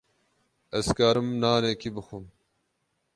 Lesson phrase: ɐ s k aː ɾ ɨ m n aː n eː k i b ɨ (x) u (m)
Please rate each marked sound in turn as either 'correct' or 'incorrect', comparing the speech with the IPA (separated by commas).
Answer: correct, correct